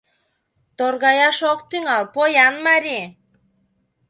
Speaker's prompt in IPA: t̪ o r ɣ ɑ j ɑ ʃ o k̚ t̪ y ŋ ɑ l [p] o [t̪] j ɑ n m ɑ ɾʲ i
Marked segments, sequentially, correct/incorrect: correct, incorrect: none

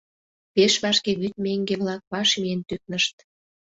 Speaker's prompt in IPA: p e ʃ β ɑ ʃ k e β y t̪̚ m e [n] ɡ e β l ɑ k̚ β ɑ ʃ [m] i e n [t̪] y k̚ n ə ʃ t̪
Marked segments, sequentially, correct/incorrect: incorrect: ŋ, correct, correct

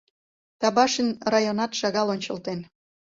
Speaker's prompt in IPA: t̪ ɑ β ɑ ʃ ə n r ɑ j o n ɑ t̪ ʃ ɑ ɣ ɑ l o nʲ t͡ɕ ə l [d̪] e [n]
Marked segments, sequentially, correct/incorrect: incorrect: t̪, correct

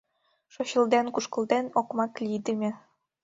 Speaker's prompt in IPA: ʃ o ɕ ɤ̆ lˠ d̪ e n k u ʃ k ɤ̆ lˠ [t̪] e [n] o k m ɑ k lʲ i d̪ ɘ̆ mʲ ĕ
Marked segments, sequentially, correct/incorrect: incorrect: d̪, correct

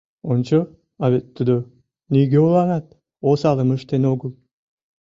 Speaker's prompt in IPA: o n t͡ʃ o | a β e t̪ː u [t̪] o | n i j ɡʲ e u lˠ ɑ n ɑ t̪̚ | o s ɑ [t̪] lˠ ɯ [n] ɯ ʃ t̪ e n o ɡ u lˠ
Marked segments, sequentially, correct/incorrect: incorrect: d̪, incorrect: none, incorrect: m

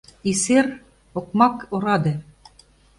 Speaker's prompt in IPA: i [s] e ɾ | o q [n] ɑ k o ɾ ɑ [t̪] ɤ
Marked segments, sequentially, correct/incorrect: correct, incorrect: m, incorrect: d̪

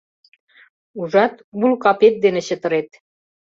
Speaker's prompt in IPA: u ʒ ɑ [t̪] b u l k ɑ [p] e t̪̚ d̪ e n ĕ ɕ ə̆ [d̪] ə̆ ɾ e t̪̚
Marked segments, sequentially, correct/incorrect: correct, correct, incorrect: t̪

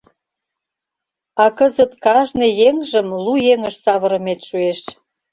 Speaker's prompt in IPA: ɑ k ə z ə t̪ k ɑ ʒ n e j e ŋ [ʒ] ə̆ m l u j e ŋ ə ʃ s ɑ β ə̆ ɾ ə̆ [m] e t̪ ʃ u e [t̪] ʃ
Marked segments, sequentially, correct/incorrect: correct, correct, incorrect: none

